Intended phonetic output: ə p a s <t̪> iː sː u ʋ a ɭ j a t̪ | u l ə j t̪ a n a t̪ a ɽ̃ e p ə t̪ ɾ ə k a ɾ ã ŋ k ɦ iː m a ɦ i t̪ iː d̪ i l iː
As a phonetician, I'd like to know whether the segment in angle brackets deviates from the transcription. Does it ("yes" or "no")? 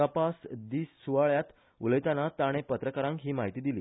yes